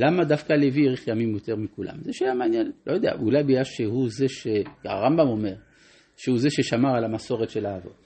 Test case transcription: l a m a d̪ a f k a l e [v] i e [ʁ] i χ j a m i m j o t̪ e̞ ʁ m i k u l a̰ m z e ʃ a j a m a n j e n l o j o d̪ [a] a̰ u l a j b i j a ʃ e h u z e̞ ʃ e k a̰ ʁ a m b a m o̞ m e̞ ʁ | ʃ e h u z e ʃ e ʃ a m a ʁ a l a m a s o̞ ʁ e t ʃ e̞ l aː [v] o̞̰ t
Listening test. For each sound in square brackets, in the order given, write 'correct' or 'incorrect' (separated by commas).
correct, correct, incorrect, correct